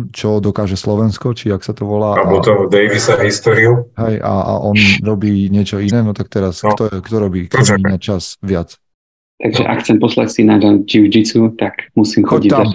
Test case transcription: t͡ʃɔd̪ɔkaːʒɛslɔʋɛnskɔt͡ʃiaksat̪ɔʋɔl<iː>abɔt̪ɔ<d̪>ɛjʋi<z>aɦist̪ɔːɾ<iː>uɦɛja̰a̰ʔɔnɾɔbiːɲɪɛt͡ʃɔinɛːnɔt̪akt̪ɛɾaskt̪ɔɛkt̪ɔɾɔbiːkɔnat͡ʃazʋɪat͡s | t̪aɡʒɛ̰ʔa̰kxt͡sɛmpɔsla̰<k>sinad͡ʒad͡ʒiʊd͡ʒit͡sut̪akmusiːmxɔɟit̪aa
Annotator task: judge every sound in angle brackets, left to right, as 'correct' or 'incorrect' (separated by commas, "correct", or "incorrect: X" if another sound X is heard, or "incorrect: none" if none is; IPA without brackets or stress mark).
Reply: incorrect: aː, correct, incorrect: s, incorrect: i, incorrect: c